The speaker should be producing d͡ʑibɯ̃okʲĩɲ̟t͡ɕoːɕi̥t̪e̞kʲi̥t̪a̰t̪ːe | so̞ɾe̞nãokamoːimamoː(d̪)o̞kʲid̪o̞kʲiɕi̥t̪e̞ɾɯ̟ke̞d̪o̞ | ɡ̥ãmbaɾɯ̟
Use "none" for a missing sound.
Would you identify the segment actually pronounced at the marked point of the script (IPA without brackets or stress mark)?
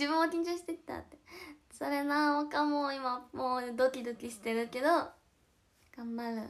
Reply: d̪